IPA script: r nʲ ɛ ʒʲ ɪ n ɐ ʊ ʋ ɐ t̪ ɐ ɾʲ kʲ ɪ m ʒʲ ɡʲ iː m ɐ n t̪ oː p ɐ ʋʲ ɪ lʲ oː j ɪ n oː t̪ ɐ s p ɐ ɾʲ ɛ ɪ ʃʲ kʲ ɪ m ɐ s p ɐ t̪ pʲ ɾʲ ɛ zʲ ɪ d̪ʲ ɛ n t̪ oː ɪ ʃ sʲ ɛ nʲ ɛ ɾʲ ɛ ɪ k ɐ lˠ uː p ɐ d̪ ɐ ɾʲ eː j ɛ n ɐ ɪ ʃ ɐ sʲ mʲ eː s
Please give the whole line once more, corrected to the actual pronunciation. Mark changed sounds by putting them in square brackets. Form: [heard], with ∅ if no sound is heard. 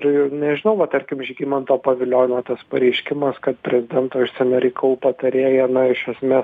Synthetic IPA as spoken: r nʲ ɛ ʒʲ ɪ n ɐ ʊ ʋ ɐ t̪ ɐ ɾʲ kʲ ɪ m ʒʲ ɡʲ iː m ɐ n t̪ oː p ɐ ʋʲ ɪ lʲ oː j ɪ n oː t̪ ɐ s p ɐ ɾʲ ɛ ɪ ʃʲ kʲ ɪ m ɐ s [k] ɐ t̪ pʲ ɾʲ ɛ zʲ ɪ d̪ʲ ɛ n t̪ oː ɪ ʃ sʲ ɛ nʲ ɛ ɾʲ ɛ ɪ k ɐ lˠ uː p ɐ [t̪] ɐ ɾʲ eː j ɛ n ɐ ɪ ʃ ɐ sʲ mʲ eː s